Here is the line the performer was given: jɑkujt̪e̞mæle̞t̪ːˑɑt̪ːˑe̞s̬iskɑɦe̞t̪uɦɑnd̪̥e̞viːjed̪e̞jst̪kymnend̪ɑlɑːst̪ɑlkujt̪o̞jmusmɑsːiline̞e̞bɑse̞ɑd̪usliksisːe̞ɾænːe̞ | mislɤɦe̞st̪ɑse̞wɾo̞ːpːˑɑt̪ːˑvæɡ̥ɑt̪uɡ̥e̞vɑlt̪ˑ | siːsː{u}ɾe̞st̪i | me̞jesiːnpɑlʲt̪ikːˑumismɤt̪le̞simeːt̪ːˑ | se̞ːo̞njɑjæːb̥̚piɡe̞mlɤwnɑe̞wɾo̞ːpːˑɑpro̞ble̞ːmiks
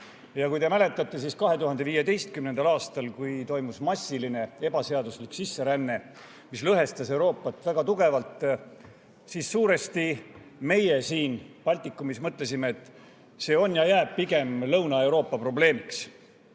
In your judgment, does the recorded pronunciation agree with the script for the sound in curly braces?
no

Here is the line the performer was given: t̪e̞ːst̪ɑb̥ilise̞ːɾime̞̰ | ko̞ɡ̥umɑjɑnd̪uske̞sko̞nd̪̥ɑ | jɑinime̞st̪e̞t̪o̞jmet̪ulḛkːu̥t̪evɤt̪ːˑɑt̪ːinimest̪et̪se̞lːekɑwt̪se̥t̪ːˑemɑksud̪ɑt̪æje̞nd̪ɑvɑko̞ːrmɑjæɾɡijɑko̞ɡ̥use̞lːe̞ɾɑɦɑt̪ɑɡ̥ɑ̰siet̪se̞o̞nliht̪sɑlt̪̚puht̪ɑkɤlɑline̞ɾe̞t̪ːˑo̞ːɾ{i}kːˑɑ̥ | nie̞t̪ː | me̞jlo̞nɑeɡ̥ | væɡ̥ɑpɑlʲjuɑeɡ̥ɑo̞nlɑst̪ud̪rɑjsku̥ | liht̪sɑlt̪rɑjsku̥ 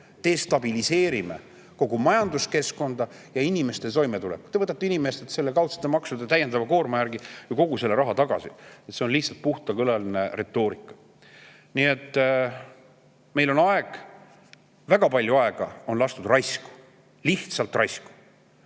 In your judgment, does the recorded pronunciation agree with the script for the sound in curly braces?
yes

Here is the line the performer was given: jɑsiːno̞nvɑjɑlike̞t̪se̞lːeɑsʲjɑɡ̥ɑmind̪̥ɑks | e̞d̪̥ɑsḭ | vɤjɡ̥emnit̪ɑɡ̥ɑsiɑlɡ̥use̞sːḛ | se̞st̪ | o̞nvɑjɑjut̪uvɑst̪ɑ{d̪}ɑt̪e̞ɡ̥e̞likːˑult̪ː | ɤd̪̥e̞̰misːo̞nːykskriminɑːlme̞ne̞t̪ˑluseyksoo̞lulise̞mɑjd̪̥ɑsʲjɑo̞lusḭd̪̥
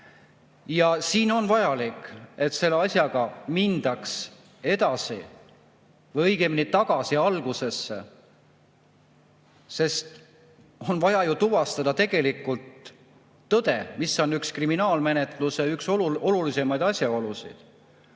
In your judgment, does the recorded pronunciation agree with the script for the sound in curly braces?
yes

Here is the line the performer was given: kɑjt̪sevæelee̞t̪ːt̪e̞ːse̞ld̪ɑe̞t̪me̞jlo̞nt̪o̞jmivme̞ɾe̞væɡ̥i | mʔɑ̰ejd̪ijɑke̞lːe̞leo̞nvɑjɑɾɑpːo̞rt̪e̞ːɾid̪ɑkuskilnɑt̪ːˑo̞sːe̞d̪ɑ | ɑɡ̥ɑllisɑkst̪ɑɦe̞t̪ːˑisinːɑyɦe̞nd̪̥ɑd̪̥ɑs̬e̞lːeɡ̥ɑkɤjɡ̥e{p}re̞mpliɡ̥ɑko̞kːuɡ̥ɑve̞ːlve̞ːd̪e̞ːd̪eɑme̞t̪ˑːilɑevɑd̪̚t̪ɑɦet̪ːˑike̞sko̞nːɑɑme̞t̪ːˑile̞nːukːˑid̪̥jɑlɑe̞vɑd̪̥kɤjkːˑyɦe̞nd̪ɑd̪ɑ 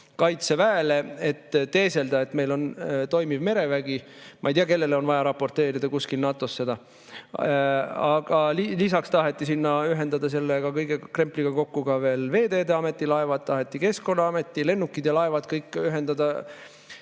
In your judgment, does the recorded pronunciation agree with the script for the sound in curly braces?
no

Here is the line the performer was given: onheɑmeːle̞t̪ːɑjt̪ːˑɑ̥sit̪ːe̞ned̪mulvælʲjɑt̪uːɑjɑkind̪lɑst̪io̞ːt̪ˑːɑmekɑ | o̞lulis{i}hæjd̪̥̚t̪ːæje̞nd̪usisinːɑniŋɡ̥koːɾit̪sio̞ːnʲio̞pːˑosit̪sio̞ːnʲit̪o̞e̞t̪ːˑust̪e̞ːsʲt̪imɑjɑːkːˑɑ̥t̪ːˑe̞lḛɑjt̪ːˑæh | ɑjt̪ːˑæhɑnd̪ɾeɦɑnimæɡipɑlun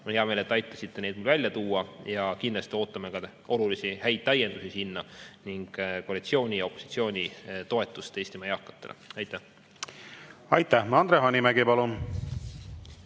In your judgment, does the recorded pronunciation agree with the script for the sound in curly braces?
yes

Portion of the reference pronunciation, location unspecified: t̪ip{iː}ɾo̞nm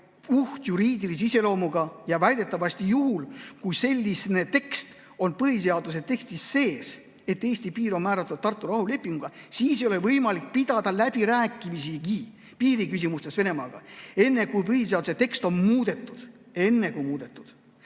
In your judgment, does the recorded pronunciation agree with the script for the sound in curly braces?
yes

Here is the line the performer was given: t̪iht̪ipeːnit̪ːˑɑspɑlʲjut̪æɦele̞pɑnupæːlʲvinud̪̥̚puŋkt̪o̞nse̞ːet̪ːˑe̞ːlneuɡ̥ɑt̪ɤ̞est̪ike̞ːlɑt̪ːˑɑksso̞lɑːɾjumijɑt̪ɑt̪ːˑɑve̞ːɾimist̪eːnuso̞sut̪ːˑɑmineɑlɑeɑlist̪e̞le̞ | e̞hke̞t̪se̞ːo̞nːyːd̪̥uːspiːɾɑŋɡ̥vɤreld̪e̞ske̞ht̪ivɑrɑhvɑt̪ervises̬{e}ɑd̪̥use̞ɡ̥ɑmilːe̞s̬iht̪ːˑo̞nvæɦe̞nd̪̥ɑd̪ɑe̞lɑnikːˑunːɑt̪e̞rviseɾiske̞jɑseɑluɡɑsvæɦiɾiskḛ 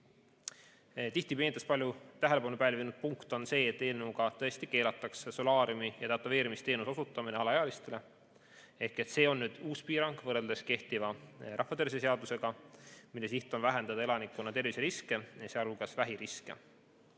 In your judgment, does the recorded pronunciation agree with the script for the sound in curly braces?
yes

